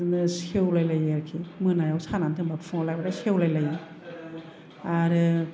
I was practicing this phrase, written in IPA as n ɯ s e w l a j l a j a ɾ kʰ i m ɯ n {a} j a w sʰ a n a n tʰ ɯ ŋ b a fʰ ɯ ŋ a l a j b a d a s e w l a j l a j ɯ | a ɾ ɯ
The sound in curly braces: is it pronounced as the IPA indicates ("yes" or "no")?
yes